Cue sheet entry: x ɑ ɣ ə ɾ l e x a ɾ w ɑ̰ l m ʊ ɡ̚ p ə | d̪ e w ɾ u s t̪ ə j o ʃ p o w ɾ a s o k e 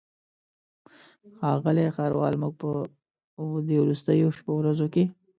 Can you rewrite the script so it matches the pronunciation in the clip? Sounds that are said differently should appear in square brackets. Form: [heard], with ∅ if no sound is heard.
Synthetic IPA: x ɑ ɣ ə [∅] l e x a ɾ w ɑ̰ l m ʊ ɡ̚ p ə | d̪ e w ɾ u s t̪ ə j o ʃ p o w ɾ a [z] o k e